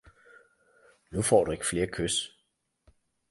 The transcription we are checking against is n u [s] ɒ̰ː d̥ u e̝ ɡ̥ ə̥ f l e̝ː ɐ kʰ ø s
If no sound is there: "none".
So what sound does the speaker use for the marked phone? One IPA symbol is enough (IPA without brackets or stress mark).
f